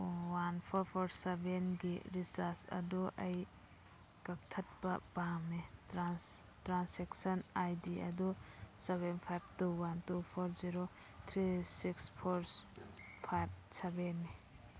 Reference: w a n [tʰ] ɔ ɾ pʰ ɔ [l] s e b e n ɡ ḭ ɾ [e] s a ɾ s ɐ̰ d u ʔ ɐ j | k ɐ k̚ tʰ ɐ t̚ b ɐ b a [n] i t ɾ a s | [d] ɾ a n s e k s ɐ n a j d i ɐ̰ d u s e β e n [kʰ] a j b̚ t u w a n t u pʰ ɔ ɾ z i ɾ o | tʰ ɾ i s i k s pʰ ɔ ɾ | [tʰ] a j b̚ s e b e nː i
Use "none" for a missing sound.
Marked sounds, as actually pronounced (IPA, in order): pʰ, ɾ, i, m, t, pʰ, pʰ

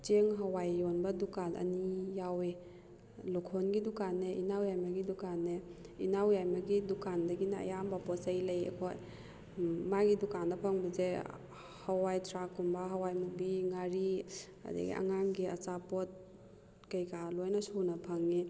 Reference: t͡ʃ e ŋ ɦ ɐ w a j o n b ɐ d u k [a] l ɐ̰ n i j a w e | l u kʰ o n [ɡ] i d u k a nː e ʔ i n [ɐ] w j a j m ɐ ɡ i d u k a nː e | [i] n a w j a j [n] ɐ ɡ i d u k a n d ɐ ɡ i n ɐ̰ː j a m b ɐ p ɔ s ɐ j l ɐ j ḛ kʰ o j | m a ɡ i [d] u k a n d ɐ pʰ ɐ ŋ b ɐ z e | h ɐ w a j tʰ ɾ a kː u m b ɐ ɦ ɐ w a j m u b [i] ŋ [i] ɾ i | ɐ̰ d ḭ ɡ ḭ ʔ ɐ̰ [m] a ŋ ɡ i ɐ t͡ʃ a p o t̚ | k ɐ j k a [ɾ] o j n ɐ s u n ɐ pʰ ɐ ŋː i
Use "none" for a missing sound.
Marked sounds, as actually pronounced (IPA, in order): a, ɡ, a, i, m, d, i, a, ŋ, l

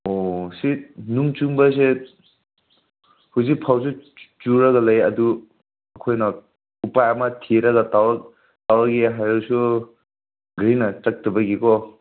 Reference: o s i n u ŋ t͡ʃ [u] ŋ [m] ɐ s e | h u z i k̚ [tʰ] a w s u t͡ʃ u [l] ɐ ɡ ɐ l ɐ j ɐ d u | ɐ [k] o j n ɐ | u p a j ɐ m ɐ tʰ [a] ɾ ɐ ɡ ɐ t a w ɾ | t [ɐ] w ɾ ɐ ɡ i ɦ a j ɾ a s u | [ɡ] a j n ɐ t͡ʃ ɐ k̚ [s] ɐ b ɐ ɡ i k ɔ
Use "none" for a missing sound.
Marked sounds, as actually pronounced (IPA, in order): u, b, pʰ, ɾ, kʰ, i, a, ɡ, t

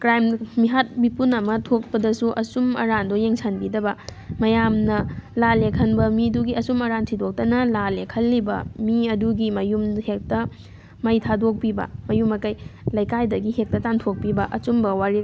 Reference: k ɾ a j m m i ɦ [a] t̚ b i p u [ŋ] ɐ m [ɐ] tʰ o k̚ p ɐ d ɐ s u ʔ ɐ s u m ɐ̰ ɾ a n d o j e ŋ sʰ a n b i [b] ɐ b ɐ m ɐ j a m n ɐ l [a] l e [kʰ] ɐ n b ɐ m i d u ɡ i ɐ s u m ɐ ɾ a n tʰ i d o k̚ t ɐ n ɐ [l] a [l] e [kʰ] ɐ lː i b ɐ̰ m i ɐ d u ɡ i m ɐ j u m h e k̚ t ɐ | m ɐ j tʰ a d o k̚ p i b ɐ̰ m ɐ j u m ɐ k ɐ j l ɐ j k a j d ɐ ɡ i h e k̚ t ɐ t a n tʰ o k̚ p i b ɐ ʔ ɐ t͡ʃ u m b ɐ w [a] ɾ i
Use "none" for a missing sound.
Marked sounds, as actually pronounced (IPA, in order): a, n, ɐ, d, a, kʰ, l, l, kʰ, a

